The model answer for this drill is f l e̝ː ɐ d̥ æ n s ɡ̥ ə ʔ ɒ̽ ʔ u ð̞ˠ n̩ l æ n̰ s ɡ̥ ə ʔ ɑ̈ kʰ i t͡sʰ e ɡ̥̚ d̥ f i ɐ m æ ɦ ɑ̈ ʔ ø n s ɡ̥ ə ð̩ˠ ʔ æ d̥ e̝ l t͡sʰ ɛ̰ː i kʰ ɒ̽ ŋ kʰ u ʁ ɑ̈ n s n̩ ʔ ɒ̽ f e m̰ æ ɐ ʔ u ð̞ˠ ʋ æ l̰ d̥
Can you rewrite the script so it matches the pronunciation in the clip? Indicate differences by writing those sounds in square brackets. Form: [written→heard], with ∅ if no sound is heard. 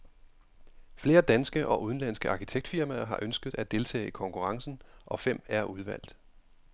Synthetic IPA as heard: f l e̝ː ɐ d̥ æ n s ɡ̥ ə ʔ ɒ̽ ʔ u ð̞ˠ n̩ l æ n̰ s ɡ̥ ə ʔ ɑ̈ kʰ i t͡sʰ e ɡ̥̚ d̥ f i ɐ m æ ɦ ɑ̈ ʔ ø n s ɡ̥ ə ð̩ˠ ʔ æ d̥ e̝ l t͡sʰ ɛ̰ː i kʰ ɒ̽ ŋ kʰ u ʁ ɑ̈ [n→ŋ] s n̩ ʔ ɒ̽ f e m̰ æ ɐ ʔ u ð̞ˠ ʋ æ l̰ d̥

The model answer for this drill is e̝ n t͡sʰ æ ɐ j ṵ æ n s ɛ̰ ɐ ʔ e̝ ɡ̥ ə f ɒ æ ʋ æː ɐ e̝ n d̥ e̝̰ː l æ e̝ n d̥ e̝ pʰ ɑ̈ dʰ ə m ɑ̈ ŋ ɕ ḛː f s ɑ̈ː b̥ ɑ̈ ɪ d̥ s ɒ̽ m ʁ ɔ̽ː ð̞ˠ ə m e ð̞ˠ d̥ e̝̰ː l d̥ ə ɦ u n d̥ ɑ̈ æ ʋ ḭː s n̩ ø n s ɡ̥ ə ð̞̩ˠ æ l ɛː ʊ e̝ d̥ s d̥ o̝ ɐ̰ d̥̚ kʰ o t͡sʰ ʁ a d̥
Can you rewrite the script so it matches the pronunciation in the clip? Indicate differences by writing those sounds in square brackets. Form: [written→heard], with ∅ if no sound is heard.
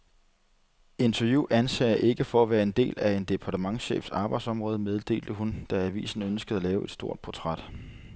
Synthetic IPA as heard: e̝ n t͡sʰ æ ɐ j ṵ æ n s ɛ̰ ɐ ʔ e̝ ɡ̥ ə f ɒ æ ʋ æː ɐ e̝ n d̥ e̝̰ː l æ e̝ n d̥ e̝ pʰ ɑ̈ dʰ ə m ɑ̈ ŋ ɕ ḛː f s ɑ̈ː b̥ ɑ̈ ɪ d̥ s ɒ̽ m ʁ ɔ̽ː ð̞ˠ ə m e ð̞ˠ d̥ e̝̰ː l d̥ ə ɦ u n d̥ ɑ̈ æ ʋ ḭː s n̩ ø n s ɡ̥ ə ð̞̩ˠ æ l ɛː ʊ e̝ d̥ s d̥ o̝ ɐ̰ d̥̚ [kʰ→pʰ] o t͡sʰ ʁ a d̥

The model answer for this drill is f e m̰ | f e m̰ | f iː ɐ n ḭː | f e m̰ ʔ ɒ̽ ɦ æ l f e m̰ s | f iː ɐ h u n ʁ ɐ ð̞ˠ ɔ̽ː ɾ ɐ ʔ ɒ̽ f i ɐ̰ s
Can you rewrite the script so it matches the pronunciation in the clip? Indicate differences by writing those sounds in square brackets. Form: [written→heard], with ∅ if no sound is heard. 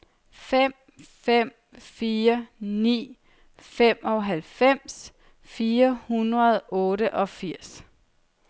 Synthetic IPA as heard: f e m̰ | f e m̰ | f iː ɐ n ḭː | f e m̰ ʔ ɒ̽ ɦ æ l f e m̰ s | f iː ɐ h u n ʁ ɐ ð̞ˠ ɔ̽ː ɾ [ɐ→ə] ʔ ɒ̽ f i ɐ̰ s

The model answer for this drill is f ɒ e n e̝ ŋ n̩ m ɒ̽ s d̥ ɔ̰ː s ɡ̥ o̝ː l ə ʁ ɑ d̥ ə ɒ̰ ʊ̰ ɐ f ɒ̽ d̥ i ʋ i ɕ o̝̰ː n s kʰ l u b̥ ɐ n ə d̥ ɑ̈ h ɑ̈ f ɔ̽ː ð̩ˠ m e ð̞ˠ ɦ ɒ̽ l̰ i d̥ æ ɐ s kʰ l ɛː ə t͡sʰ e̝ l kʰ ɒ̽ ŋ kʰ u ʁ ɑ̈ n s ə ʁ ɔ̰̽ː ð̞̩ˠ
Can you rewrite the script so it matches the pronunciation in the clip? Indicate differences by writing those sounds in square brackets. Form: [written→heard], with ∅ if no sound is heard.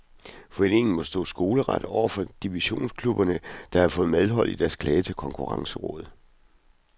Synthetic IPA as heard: f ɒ e n e̝ ŋ n̩ m ɒ̽ s d̥ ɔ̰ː s ɡ̥ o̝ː l ə ʁ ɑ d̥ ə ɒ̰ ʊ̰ ɐ f ɒ̽ d̥ i ʋ i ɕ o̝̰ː n s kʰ l u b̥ ɐ n ə d̥ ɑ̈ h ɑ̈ f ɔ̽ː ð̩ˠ m e ð̞ˠ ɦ ɒ̽ l̰ i d̥ æ ɐ s kʰ l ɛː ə t͡sʰ e̝ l kʰ ɒ̽ ŋ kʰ u ʁ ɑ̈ [n→ŋ] s ə ʁ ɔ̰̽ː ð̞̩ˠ

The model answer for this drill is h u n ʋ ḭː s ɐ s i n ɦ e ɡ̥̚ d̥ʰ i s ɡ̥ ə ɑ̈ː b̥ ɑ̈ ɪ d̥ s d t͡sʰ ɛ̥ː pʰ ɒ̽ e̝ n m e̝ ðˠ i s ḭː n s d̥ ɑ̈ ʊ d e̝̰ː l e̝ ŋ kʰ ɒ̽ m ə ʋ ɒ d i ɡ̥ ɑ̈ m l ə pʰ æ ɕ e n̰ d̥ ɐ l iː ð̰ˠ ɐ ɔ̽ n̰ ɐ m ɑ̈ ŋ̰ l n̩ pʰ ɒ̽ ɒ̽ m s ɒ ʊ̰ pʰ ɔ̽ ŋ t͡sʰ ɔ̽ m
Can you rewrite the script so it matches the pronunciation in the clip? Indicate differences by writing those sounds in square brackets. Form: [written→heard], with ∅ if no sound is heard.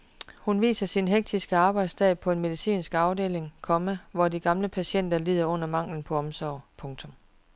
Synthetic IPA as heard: h u n ʋ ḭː s ɐ s i n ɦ e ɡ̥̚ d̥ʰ i s ɡ̥ ə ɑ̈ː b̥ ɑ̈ ɪ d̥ s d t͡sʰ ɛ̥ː pʰ ɒ̽ e̝ n m e̝ ðˠ i s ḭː n s [d̥→ɡ̥] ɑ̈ ʊ d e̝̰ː l e̝ ŋ kʰ ɒ̽ m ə ʋ ɒ d i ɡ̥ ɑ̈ m l ə pʰ æ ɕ e n̰ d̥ ɐ l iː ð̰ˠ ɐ ɔ̽ n̰ ɐ m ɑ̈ ŋ̰ l n̩ pʰ ɒ̽ ɒ̽ m s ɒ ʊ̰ pʰ ɔ̽ ŋ t͡sʰ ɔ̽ m

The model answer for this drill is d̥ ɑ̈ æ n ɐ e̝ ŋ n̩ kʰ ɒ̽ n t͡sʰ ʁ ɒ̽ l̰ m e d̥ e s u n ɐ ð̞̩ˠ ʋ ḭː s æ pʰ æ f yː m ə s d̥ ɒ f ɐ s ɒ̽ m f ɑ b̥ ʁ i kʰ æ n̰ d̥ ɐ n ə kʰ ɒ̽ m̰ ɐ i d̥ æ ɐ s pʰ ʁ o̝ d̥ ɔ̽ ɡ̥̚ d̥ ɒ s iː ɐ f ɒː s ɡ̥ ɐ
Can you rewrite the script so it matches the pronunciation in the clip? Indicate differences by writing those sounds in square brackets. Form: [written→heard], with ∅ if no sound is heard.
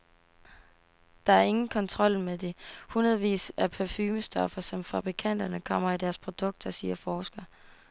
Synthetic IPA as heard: d̥ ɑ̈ æ [n→∅] ɐ e̝ ŋ n̩ kʰ ɒ̽ n t͡sʰ ʁ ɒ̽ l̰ m e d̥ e [s→h] u n ɐ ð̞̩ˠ ʋ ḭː s æ pʰ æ f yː m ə s d̥ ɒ f ɐ s ɒ̽ m f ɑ b̥ ʁ i kʰ æ n̰ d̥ ɐ n ə kʰ ɒ̽ m̰ ɐ i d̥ æ ɐ s pʰ ʁ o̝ d̥ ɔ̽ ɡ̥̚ d̥ ɒ s iː ɐ f ɒː s ɡ̥ ɐ

